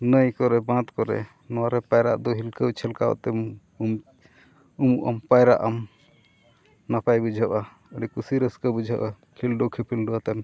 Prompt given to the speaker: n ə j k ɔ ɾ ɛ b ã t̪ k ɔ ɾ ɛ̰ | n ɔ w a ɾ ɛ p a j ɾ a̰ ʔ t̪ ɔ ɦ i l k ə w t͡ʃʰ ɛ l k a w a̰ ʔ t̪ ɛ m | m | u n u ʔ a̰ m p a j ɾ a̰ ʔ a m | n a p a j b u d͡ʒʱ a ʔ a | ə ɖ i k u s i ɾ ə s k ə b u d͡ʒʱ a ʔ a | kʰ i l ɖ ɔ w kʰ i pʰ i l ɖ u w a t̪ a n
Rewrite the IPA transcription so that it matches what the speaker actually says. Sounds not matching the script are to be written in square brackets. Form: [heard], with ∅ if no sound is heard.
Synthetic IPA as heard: n ə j k ɔ ɾ ɛ b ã t̪ k ɔ ɾ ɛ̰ | n ɔ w a ɾ ɛ p a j ɾ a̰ ʔ [d̪] ɔ ɦ i l k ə w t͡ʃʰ ɛ l k a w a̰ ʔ t̪ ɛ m | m | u [m] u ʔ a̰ m p a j ɾ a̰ ʔ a m | n a p a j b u d͡ʒʱ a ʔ a | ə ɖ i k u s i ɾ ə s k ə b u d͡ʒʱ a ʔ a | kʰ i l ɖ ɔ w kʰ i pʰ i l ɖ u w a t̪ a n